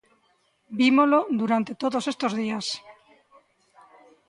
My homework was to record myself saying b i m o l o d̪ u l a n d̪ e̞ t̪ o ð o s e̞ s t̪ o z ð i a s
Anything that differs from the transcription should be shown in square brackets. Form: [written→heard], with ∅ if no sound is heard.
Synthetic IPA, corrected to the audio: b i m o l o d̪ u [l→ɾ] a n [d̪→t̪] e̞ t̪ o ð o s e̞ s t̪ o z ð i a s